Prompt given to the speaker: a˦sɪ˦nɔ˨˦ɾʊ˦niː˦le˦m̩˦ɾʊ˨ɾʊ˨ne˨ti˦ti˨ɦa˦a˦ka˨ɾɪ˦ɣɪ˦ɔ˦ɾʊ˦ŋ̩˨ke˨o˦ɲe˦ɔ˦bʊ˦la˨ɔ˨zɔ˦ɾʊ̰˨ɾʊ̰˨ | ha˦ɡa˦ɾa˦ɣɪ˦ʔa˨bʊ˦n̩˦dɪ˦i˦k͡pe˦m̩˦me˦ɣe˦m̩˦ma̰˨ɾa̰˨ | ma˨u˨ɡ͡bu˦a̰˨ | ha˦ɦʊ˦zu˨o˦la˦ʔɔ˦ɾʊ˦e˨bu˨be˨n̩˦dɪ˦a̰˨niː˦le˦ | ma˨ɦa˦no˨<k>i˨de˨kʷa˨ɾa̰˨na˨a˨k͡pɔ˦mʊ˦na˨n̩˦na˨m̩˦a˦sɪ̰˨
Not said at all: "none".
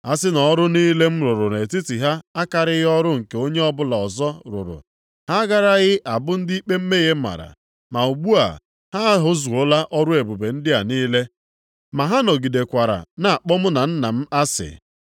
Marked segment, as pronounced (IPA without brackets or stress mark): ɡ